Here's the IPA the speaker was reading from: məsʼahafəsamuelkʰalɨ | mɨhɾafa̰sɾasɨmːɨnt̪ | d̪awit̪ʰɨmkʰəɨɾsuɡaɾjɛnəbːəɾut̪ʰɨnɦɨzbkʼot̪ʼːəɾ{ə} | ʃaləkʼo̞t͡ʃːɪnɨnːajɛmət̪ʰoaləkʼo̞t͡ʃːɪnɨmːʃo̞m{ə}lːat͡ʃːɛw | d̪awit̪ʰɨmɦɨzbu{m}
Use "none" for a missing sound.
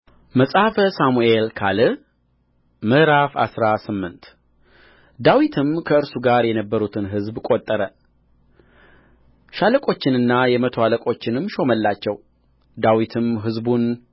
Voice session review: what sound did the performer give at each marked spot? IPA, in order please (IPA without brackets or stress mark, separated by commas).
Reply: ə, ə, n